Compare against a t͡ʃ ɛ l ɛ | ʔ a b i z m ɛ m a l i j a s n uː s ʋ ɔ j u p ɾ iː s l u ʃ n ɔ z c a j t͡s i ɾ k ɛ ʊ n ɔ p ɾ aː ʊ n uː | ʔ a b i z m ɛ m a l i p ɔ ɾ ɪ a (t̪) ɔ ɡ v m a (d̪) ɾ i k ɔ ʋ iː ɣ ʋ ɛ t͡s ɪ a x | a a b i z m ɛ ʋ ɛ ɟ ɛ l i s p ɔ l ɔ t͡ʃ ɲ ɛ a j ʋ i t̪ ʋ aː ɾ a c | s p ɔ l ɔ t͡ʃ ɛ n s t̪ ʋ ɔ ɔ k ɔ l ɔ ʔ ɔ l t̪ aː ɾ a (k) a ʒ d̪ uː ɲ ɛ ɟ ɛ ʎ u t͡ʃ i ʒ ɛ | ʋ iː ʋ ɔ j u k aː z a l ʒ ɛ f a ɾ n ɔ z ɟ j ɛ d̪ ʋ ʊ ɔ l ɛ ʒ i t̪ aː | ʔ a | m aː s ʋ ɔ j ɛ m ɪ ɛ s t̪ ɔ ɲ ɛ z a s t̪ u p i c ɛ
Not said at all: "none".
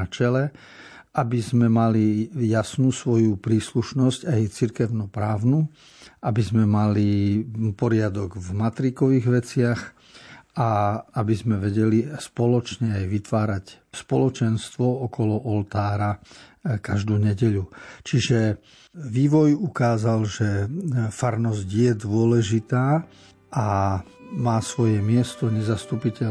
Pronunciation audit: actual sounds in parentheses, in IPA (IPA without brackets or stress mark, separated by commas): d̪, t̪, k